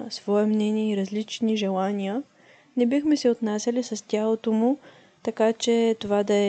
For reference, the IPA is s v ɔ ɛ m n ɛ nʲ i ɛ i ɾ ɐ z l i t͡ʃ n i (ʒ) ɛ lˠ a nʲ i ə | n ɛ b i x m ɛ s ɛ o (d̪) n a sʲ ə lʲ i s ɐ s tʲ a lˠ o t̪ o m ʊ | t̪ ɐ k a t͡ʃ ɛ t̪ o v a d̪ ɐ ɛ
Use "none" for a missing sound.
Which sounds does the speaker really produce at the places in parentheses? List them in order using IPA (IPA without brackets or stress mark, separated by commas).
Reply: ʒ, t̪